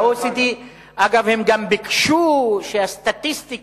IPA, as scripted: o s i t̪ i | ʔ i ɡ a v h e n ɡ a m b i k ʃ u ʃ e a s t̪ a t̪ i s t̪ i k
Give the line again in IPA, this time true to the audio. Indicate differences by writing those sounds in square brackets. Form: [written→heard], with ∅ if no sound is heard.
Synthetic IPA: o s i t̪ i | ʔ [i→a] ɡ a v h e [n→m] ɡ a m b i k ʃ u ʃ e a s t̪ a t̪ i s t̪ i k